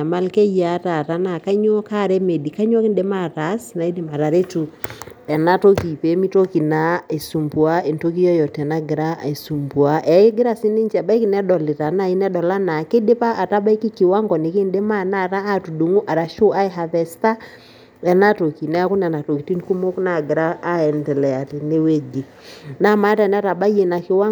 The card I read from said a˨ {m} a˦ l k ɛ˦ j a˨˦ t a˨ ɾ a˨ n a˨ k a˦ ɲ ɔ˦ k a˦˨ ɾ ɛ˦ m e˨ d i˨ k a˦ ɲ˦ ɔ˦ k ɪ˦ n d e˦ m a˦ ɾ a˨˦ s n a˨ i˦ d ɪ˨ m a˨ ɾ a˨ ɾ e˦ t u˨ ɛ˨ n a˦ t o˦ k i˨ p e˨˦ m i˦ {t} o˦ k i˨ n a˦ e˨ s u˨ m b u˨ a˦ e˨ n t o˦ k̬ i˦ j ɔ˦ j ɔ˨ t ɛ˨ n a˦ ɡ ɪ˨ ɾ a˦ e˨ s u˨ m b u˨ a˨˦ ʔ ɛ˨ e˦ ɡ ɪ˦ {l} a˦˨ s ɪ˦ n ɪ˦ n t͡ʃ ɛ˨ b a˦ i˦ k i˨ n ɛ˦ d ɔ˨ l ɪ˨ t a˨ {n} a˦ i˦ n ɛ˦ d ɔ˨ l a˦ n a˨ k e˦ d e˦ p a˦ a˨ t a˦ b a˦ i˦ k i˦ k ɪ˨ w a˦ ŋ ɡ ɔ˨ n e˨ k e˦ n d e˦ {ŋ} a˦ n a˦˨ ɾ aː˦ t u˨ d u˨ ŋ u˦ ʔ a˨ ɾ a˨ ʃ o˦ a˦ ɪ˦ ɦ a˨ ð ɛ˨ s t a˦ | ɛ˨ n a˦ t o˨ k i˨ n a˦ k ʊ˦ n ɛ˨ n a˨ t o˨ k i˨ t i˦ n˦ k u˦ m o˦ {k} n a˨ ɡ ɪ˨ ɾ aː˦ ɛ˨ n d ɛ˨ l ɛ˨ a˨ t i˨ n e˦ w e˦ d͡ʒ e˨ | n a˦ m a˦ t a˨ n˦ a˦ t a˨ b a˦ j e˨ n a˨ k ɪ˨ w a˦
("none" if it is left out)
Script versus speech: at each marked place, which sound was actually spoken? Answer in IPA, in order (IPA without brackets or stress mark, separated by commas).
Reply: m, t, ɾ, n, m, k